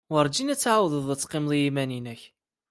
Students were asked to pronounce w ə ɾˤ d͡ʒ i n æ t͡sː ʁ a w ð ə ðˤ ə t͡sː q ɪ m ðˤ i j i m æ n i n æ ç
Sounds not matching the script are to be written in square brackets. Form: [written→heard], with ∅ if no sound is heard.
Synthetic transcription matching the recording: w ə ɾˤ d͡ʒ i n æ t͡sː [ʁ→ʕ] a w ð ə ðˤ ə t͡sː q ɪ m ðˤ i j i m æ n i n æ ç